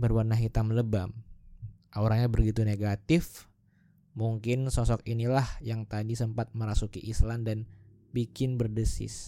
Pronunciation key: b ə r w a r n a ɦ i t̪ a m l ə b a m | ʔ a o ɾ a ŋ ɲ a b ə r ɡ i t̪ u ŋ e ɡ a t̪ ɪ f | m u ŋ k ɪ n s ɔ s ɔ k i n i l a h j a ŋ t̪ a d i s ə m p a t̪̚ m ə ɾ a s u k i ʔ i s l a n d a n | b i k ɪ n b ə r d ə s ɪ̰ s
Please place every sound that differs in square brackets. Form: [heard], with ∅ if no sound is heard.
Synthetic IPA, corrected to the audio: b ə r w a r n a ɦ i t̪ a m l ə b a m | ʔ a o ɾ a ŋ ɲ a b ə r ɡ i t̪ u [n] e ɡ a t̪ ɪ f | m u ŋ k ɪ n s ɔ s ɔ k i n i l a h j a ŋ t̪ a d i s ə m p a t̪̚ m ə ɾ a s u k i ʔ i s l a n d a n | b i k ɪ n b ə r d ə s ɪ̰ s